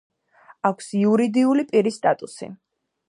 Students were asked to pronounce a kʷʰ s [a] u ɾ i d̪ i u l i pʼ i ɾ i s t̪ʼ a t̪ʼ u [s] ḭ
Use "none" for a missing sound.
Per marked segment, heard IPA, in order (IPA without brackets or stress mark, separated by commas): i, s